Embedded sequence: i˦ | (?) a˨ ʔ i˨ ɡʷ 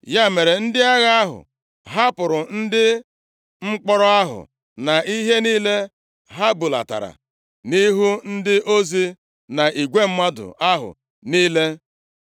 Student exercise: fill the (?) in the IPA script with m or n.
n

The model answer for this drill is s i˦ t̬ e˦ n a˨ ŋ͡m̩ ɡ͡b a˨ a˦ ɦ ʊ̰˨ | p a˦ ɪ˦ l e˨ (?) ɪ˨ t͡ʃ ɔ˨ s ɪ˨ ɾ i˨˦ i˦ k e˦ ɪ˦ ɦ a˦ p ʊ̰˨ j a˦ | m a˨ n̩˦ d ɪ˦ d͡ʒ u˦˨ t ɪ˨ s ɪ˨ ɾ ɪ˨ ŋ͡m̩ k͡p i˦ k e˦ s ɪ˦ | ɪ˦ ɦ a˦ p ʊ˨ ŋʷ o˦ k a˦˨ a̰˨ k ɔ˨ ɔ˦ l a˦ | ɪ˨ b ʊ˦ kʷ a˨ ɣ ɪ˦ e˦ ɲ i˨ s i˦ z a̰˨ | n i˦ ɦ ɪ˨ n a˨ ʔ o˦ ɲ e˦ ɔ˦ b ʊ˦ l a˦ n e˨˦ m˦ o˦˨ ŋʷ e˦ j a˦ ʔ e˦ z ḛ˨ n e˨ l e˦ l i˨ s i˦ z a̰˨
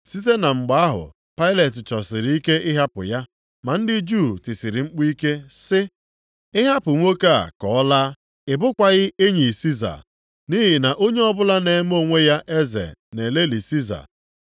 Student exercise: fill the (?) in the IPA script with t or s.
t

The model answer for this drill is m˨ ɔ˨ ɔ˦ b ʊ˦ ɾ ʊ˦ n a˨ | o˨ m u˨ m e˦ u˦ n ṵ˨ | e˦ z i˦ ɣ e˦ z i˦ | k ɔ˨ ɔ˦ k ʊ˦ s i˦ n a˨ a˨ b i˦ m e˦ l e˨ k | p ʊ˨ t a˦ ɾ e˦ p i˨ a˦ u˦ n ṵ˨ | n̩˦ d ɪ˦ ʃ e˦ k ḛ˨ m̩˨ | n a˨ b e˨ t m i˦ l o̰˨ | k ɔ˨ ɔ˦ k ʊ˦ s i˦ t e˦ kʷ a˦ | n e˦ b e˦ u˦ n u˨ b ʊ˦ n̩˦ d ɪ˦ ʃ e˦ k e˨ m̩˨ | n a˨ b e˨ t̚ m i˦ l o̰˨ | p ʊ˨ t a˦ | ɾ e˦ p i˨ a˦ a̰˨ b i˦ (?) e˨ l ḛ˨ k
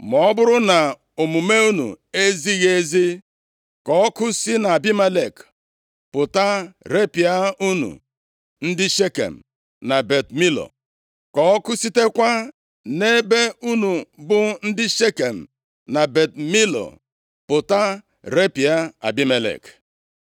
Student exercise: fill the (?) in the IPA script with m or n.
m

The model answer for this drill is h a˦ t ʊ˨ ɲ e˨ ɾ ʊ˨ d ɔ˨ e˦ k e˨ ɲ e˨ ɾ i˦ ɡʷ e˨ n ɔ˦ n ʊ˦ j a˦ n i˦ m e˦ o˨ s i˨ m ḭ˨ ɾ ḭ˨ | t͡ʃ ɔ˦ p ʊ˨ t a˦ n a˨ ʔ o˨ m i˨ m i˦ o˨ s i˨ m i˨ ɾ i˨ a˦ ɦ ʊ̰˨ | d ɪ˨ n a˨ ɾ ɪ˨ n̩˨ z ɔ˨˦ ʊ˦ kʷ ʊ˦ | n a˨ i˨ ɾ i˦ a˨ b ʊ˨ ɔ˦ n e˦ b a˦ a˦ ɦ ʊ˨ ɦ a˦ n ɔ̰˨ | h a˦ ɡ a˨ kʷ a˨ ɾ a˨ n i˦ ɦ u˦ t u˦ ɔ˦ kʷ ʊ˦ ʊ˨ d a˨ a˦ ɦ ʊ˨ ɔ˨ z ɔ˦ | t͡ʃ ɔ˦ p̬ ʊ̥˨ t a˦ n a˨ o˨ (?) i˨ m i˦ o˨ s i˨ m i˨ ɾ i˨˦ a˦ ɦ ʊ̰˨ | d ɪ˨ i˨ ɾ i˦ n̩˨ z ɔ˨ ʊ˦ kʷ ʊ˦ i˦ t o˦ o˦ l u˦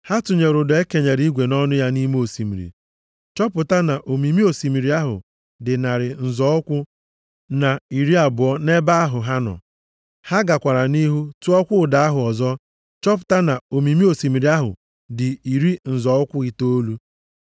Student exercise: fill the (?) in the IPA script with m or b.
m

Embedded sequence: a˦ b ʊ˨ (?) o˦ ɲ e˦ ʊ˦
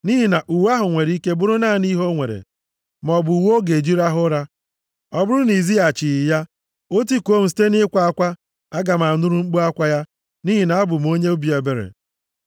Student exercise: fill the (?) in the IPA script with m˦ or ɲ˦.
m˦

